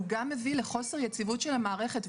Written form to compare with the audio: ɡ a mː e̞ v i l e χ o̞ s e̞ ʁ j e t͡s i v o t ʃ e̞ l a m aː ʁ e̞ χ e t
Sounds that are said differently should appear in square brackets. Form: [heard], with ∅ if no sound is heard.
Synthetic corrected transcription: ɡ a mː e̞ v i l e χ o̞ s e̞ ʁ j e t͡s i v [u] t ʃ e̞ l a m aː ʁ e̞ χ e t